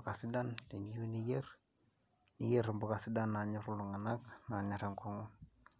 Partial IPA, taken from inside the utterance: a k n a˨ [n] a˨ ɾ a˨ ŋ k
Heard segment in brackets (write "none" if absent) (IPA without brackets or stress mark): ɲ